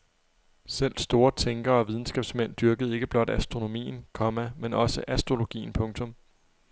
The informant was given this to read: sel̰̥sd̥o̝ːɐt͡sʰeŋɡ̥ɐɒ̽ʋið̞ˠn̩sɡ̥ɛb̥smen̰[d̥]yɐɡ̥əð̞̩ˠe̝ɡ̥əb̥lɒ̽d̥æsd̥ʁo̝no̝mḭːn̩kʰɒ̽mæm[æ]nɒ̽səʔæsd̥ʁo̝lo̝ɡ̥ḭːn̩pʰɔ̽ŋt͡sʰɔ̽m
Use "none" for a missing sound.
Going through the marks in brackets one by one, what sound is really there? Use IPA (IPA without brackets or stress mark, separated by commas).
d̥, e